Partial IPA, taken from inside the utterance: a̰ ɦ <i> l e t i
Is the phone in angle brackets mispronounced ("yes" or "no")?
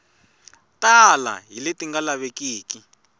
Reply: no